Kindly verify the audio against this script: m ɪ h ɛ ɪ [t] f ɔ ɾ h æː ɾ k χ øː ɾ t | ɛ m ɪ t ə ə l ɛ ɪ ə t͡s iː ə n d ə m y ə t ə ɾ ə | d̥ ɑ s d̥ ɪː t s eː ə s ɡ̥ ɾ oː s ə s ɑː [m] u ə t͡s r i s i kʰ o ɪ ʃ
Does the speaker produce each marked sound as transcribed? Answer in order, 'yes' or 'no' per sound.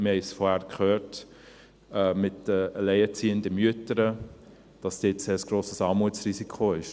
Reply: no, yes

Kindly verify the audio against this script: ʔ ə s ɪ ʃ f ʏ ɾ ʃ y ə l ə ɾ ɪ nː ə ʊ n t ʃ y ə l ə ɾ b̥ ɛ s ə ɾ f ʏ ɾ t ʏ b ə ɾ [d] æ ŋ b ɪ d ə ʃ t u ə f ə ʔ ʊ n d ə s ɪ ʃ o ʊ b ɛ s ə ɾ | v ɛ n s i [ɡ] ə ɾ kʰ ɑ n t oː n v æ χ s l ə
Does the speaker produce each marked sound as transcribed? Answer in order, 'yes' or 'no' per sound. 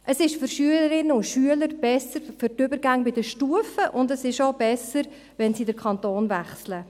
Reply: no, no

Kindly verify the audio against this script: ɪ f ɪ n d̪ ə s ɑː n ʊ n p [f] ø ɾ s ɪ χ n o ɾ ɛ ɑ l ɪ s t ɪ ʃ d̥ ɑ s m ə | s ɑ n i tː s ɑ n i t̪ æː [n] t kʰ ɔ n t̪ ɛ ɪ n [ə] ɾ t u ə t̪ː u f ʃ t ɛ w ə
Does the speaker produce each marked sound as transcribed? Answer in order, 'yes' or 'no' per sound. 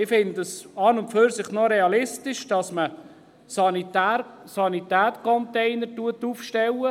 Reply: yes, no, yes

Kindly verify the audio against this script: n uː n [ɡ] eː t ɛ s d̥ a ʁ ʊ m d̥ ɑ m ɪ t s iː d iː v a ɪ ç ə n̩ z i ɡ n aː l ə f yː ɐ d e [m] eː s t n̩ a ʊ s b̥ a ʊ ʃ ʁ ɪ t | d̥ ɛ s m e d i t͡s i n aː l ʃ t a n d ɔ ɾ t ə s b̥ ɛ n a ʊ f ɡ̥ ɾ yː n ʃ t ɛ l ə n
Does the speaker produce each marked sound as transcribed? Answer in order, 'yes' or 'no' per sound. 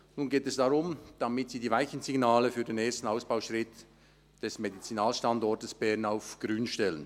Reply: yes, no

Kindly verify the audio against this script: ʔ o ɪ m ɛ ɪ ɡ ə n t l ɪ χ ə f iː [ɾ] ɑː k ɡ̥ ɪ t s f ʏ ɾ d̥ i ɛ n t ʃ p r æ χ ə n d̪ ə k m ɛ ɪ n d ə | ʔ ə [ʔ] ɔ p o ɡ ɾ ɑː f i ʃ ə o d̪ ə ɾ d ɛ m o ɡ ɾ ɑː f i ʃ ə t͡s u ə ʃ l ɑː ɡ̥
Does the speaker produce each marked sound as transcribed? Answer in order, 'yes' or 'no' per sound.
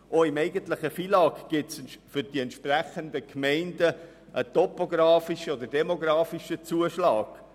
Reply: no, no

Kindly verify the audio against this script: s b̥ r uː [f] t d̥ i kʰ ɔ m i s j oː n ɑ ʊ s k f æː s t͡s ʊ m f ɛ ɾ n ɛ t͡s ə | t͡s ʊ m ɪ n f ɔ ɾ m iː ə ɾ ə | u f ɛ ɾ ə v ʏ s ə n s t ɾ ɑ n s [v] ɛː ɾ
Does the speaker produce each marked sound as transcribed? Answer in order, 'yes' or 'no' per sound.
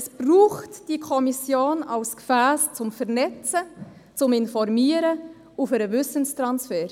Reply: no, no

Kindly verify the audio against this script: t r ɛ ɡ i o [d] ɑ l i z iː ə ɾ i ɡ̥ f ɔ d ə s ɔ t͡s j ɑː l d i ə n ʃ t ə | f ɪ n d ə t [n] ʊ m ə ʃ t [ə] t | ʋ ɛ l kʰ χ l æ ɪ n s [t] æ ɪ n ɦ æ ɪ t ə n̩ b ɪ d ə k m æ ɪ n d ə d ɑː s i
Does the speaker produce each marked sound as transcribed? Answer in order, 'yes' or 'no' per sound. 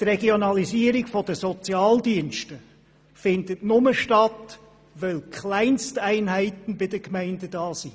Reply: no, yes, no, yes

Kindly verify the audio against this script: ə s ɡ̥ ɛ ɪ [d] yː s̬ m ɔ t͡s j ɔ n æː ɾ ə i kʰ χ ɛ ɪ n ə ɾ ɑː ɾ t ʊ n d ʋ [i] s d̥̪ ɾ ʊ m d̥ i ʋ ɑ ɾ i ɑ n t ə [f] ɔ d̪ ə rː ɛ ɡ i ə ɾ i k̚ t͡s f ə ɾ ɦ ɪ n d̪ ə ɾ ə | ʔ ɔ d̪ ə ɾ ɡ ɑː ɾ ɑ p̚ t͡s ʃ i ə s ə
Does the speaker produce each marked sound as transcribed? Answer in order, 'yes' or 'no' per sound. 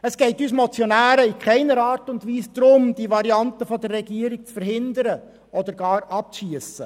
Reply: no, no, yes

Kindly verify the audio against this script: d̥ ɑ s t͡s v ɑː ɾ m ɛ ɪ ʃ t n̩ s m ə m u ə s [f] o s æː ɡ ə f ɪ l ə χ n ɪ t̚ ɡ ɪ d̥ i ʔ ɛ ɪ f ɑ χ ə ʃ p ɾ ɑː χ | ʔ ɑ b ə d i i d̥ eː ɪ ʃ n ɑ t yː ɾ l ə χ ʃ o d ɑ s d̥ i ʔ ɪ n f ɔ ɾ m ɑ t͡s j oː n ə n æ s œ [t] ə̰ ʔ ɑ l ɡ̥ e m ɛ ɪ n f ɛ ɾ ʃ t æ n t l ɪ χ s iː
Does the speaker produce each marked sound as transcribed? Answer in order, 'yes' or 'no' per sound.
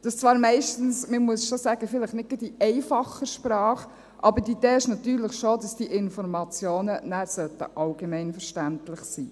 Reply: no, yes

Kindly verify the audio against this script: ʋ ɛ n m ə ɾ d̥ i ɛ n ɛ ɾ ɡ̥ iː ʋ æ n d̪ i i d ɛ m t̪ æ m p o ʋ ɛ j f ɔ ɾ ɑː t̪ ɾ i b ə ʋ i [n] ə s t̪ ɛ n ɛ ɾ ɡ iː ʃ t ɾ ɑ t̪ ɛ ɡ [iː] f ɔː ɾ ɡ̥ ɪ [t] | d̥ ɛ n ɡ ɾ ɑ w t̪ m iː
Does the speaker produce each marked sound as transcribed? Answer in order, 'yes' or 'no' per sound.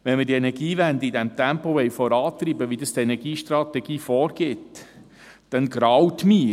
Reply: no, yes, yes

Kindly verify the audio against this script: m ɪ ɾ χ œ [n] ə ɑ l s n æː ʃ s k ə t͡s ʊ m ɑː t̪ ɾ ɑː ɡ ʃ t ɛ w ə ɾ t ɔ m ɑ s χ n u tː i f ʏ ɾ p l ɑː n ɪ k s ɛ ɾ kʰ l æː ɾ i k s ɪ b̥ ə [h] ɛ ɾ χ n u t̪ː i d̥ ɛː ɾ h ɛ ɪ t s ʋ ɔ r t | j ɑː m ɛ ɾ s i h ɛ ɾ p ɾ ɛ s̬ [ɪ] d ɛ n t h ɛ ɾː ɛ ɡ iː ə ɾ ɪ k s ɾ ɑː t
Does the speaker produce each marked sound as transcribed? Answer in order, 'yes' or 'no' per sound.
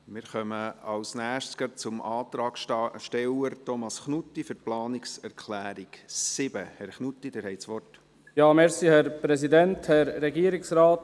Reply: no, yes, no

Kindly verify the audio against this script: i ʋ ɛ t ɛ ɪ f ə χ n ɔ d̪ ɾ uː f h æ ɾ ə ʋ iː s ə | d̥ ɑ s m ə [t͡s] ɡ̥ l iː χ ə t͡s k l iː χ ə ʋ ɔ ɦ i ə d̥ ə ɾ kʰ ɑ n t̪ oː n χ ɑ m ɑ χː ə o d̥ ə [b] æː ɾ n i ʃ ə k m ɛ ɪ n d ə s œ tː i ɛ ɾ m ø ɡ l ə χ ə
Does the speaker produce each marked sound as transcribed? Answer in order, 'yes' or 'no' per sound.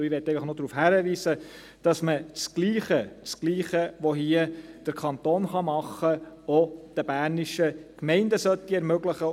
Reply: yes, yes

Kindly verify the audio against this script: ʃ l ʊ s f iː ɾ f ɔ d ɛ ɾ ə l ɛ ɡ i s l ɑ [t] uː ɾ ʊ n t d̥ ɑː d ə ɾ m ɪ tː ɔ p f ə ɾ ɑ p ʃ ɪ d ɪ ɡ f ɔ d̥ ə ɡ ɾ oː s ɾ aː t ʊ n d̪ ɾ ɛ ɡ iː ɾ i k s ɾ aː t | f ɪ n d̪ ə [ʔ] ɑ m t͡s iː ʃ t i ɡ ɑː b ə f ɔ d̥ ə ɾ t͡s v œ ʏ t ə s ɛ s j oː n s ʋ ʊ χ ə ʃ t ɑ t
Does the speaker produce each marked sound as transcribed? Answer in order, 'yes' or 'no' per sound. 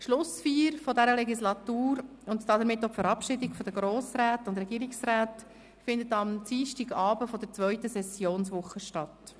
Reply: yes, no

